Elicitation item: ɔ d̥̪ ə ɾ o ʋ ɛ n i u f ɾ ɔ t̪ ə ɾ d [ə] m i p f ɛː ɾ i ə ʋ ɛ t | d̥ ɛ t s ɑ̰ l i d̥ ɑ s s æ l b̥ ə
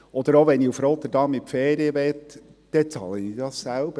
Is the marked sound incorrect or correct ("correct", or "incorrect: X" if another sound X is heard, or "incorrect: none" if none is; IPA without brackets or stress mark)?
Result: incorrect: ɑ